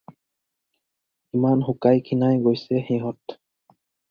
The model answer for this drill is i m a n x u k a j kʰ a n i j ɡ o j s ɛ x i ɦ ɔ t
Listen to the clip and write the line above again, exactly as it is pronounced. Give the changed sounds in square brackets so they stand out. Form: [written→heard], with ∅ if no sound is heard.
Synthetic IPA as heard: i m a n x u k a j kʰ [a→i] n [i→a] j ɡ o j s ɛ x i ɦ ɔ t